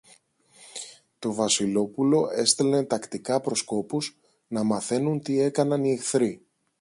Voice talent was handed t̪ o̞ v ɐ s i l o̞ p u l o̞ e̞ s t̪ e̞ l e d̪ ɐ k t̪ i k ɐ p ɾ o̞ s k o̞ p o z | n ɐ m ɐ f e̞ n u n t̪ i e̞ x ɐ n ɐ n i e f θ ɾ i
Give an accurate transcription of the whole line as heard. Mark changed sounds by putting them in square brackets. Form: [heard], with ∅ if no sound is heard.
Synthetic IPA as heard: t̪ o̞ v ɐ s i l o̞ p u l o̞ e̞ s t̪ e̞ l e [t̪] ɐ k t̪ i k ɐ p ɾ o̞ s k o̞ p [u] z | n ɐ m ɐ [θ] e̞ n u n t̪ i e̞ [k] ɐ n ɐ n i e [x] θ ɾ i